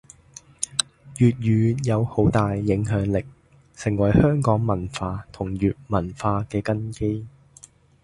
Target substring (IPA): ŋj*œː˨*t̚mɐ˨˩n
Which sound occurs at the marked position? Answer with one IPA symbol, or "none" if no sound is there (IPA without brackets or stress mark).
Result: yː˨